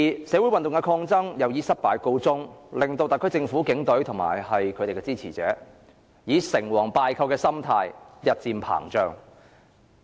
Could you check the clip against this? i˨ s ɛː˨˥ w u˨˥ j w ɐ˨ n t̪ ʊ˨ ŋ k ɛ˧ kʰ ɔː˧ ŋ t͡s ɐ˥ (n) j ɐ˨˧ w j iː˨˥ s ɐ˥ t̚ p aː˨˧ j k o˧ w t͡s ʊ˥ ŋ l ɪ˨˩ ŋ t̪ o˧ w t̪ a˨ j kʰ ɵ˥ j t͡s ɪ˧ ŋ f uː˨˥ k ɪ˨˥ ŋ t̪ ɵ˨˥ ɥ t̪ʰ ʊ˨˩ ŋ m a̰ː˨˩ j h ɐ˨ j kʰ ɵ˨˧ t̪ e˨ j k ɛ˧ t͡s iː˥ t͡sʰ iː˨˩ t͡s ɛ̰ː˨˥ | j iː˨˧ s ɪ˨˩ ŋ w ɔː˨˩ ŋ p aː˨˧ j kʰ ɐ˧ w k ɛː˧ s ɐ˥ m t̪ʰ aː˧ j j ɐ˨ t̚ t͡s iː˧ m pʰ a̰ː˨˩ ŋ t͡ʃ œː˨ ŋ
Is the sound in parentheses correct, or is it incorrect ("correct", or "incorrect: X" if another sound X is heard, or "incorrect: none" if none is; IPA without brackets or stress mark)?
incorrect: ŋ